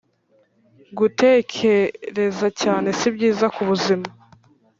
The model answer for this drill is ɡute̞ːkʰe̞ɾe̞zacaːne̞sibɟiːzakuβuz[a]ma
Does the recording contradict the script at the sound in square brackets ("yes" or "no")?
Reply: yes